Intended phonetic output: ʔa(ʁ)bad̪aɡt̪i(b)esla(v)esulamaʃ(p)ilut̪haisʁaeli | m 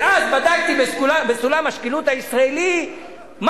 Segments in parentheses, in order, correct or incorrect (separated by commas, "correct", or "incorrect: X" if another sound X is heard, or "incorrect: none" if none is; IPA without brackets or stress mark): incorrect: z, correct, incorrect: b, incorrect: k